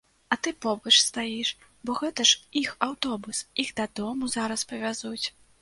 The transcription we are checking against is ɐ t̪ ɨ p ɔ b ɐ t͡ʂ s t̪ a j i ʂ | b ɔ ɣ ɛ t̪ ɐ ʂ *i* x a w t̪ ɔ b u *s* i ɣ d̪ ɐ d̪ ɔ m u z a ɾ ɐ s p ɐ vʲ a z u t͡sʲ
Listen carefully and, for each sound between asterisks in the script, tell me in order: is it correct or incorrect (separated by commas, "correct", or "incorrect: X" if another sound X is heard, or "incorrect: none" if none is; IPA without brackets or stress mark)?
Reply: correct, correct